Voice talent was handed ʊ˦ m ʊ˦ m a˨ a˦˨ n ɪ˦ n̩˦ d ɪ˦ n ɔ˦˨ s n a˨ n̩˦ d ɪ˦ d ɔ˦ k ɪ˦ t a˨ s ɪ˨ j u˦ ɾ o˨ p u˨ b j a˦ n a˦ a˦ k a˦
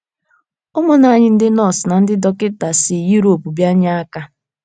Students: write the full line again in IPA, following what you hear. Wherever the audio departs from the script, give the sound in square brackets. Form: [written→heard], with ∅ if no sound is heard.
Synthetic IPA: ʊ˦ m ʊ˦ [m→n] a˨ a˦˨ [n→ɲ] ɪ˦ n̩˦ d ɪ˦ n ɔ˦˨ s n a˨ n̩˦ d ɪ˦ d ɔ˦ k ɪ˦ t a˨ s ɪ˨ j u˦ ɾ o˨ p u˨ b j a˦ [n→ɲ] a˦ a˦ k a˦